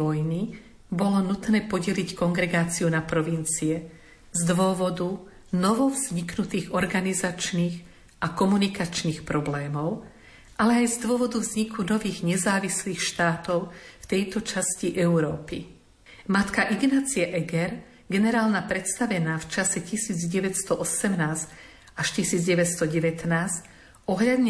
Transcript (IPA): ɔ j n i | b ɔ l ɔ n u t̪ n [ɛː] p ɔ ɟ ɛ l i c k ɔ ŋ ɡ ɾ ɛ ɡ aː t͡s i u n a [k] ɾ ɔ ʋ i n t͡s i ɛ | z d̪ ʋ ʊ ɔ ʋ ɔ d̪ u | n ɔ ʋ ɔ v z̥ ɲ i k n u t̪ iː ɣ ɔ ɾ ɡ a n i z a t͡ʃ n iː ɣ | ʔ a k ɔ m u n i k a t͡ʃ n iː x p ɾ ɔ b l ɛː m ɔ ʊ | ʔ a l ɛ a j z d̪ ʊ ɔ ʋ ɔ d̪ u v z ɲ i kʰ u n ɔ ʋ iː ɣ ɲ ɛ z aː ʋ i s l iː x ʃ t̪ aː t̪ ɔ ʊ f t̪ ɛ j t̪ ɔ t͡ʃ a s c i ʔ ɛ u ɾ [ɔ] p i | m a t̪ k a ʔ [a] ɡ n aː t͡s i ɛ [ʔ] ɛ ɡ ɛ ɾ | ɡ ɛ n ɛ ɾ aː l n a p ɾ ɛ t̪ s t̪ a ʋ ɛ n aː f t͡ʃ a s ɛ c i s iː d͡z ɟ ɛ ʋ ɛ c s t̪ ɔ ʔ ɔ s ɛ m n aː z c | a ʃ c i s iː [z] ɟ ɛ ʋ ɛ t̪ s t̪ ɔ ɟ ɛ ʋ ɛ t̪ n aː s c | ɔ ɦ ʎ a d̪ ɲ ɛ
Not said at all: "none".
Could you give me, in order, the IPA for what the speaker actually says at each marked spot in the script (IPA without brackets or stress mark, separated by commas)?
ɛː, p, ɔː, i, ʔ, d͡z